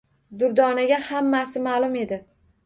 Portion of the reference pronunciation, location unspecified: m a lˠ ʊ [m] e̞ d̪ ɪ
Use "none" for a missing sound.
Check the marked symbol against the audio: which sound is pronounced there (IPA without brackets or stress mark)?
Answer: m